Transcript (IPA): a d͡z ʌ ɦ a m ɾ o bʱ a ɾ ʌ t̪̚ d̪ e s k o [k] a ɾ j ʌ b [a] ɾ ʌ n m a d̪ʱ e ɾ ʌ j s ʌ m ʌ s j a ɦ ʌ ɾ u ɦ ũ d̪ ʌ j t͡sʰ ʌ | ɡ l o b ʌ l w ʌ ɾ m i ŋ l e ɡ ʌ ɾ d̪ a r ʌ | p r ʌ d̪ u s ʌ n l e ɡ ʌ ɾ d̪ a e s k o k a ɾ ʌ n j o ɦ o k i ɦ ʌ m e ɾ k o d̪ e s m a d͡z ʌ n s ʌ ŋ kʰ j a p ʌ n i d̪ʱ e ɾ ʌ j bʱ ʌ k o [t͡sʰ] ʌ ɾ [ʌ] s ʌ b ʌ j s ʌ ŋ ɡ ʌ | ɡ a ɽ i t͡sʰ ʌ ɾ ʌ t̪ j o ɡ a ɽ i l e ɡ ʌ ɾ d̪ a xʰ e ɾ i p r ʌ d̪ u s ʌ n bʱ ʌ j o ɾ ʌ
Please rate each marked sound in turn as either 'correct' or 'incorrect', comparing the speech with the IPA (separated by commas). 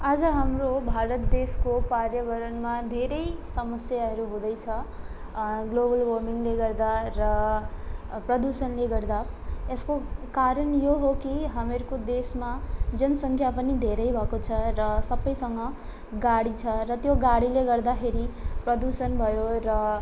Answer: incorrect, incorrect, correct, correct